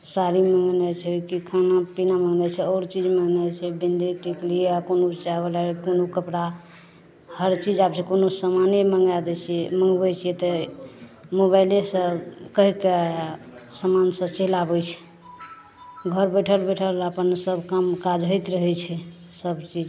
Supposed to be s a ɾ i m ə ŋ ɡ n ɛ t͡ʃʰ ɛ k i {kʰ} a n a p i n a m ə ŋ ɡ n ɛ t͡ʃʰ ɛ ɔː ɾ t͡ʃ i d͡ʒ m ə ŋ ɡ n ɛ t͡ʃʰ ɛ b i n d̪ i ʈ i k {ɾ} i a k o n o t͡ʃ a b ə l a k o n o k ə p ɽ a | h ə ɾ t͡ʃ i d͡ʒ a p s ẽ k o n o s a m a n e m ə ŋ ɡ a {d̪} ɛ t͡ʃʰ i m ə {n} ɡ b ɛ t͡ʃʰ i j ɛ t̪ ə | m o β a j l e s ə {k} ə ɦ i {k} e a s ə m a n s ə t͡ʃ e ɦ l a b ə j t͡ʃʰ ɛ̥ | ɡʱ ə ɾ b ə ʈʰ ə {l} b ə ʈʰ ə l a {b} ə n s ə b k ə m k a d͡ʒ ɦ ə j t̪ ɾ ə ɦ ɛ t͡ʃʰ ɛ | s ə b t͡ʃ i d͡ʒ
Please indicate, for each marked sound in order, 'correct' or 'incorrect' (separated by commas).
correct, incorrect, correct, incorrect, correct, correct, correct, incorrect